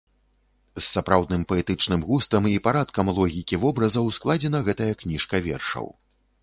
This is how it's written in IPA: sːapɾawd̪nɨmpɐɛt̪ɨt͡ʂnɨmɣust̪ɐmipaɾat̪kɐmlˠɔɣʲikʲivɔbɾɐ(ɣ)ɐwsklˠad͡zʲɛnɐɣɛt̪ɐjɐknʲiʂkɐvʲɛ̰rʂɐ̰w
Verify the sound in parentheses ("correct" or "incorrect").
incorrect